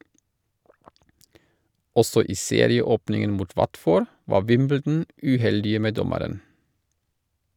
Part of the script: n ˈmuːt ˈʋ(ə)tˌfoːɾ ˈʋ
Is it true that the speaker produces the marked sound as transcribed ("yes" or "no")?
no